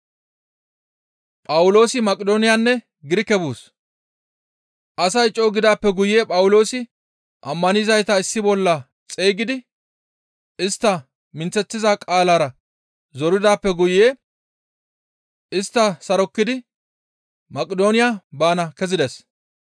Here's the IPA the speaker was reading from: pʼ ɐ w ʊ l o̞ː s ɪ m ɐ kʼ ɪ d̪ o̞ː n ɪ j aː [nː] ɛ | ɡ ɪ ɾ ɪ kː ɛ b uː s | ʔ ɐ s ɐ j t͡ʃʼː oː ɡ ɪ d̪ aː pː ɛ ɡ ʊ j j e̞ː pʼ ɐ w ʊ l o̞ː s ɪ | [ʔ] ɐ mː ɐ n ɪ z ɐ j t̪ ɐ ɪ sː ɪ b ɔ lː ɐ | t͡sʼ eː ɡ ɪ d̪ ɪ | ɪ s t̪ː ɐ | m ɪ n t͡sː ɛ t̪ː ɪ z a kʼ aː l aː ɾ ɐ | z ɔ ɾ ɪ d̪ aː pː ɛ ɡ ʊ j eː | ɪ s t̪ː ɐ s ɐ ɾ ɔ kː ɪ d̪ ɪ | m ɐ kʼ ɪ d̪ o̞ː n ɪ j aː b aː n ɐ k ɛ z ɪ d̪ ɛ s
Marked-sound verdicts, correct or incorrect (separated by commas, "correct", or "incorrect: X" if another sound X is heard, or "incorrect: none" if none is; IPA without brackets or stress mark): correct, correct